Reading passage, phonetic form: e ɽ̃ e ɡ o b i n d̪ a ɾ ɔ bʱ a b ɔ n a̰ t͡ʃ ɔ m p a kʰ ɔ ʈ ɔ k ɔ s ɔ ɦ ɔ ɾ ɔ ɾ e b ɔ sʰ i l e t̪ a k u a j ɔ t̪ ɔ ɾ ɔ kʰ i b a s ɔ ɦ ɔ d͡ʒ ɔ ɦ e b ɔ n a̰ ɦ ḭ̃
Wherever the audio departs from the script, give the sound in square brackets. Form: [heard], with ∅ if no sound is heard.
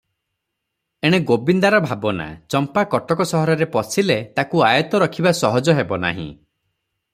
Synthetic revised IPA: e ɽ̃ e ɡ o b i n d̪ a ɾ ɔ bʱ a b ɔ n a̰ t͡ʃ ɔ m p a [k] ɔ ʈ ɔ k ɔ s ɔ ɦ ɔ ɾ ɔ ɾ e [p] ɔ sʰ i l e t̪ a k u a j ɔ t̪ ɔ ɾ ɔ kʰ i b a s ɔ ɦ ɔ d͡ʒ ɔ ɦ e b ɔ n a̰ ɦ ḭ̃